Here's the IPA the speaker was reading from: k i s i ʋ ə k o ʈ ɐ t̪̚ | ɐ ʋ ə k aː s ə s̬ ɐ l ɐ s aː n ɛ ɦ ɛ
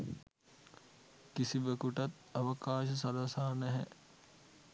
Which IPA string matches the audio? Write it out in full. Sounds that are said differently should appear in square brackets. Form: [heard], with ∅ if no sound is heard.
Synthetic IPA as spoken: k i s i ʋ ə k [u] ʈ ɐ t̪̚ | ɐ ʋ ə k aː [ʃ] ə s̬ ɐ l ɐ s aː n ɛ ɦ ɛ